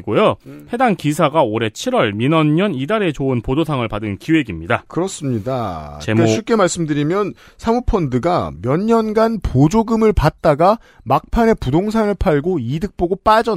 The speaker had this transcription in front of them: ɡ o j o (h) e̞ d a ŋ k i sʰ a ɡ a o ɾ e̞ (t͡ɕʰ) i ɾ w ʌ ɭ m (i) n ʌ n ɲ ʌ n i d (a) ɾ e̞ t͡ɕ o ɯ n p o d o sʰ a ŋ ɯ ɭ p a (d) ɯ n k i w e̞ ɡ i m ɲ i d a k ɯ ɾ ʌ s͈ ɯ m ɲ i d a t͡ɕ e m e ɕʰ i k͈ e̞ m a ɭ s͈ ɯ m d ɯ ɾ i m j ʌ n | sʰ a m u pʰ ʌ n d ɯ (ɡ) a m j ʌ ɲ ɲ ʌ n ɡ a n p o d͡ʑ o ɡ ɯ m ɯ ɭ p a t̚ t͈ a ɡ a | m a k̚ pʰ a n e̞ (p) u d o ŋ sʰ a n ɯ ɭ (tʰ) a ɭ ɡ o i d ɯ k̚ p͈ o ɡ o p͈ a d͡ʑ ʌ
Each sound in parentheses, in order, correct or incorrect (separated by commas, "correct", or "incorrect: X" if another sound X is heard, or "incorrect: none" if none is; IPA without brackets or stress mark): correct, correct, correct, correct, correct, correct, correct, incorrect: pʰ